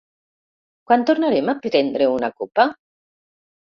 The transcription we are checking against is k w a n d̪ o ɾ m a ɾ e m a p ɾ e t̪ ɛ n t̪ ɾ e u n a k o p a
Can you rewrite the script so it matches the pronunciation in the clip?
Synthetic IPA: k w a n t̪ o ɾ n a ɾ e m a p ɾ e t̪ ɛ n d̪ ɾ e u n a k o p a